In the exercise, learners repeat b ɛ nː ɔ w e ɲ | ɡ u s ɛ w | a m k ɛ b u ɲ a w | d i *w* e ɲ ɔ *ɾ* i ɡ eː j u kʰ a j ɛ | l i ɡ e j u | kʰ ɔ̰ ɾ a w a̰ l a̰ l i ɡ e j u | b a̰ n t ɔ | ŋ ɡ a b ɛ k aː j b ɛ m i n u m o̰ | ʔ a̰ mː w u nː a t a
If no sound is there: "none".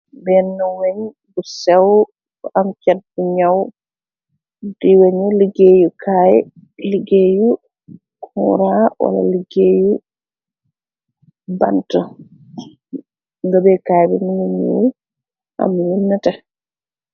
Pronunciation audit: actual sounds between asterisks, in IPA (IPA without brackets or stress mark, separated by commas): w, l